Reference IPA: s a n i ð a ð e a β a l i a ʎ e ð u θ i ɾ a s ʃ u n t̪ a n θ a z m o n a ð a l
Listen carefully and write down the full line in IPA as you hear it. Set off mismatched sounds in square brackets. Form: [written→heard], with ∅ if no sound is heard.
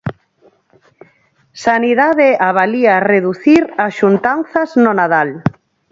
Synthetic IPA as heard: s a n i ð a ð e a β a l i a [ʎ→r] e ð u θ i ɾ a s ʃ u n t̪ a n θ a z [m→n] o n a ð a l